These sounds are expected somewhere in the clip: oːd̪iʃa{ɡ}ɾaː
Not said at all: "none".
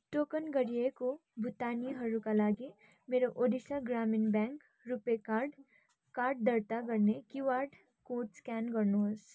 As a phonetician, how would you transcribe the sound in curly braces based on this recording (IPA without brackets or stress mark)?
ɡ